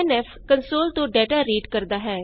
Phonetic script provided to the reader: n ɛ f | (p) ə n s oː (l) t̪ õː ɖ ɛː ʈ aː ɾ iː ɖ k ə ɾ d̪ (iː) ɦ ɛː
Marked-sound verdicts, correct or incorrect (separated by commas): incorrect, correct, incorrect